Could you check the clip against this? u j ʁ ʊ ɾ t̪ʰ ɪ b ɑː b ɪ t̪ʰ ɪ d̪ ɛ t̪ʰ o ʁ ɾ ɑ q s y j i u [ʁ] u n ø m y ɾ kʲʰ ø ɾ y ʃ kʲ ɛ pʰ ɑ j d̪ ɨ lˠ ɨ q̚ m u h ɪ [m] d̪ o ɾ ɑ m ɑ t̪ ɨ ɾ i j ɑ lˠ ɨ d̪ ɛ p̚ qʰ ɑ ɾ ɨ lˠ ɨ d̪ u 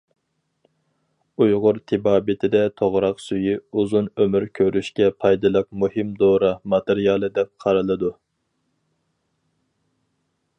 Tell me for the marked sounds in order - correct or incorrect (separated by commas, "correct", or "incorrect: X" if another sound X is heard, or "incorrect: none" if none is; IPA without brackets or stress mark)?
incorrect: z, correct